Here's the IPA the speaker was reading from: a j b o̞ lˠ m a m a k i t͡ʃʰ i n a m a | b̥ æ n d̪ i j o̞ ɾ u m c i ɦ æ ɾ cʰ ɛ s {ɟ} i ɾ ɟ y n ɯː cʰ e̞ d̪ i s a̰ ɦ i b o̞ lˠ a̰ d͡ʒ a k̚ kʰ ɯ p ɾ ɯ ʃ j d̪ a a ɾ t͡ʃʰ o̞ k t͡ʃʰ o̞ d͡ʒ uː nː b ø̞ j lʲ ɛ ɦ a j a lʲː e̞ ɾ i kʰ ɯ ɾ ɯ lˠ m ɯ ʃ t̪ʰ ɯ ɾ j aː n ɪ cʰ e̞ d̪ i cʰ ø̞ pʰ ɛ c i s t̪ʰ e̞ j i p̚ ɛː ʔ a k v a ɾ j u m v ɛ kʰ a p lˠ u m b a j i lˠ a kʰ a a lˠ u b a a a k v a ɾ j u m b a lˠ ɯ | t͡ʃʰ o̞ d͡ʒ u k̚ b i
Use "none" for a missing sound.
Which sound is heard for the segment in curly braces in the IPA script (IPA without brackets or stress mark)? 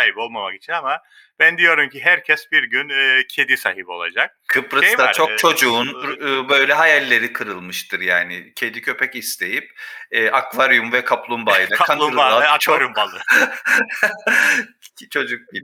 b